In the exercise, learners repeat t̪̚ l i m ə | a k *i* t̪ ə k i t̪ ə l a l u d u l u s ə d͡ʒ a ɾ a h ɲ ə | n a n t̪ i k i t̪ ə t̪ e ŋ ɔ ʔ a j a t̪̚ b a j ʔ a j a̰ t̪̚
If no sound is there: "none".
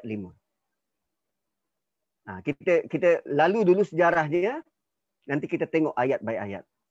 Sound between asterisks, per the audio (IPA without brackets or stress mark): i